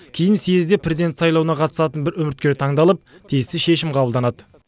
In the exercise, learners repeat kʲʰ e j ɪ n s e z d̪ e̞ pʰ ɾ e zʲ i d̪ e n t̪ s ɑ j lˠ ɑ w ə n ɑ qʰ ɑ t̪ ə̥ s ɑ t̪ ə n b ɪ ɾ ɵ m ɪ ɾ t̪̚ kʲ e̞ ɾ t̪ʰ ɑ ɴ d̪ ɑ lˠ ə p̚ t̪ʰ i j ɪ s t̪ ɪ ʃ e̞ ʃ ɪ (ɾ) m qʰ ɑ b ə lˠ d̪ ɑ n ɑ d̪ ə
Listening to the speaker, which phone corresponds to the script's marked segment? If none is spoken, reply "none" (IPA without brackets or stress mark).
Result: none